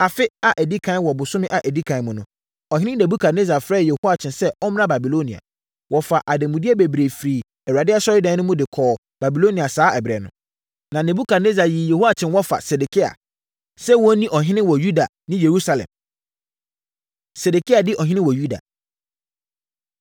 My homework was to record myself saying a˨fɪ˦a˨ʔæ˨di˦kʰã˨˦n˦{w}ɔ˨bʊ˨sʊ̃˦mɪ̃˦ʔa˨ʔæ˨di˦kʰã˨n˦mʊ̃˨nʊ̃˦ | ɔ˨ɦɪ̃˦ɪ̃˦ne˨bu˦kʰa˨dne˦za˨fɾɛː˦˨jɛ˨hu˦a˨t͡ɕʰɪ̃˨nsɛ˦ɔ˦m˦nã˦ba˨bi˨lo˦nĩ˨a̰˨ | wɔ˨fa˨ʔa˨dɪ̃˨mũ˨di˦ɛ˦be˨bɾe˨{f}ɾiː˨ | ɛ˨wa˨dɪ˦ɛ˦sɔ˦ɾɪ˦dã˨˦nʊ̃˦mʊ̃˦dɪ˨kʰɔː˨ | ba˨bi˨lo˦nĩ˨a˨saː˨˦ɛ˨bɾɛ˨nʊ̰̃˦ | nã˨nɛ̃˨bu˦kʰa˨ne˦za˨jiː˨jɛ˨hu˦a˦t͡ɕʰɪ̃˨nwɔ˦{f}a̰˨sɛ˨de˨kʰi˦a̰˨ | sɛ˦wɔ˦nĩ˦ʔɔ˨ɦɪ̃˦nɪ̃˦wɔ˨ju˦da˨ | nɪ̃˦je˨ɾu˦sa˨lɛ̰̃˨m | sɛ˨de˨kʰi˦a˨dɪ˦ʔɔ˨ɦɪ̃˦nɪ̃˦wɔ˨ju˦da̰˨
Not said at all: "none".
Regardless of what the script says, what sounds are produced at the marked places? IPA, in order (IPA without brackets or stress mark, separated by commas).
w, f, f